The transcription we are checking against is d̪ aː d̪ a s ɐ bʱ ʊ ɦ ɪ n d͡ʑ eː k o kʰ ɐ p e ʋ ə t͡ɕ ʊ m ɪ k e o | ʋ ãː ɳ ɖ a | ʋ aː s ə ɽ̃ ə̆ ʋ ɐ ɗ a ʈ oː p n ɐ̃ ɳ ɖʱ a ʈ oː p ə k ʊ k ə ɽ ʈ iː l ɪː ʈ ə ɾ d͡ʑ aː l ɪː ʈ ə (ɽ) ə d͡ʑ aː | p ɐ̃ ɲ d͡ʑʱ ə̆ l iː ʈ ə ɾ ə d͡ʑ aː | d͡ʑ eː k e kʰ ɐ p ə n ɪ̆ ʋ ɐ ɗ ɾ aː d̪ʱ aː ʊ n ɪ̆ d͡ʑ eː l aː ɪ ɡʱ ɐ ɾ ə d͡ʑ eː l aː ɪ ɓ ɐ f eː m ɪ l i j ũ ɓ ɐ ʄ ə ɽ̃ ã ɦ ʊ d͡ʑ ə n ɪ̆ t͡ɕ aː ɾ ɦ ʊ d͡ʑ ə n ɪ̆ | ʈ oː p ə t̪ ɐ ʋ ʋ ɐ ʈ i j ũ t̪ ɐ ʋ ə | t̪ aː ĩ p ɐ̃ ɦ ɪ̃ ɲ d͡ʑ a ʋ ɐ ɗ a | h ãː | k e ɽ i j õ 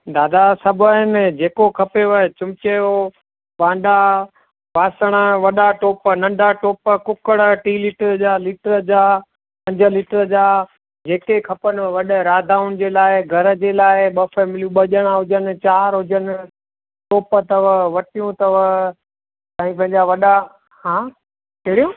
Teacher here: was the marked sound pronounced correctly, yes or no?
no